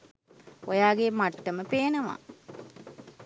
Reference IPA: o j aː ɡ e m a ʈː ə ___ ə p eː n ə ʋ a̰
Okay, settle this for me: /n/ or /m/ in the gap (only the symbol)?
m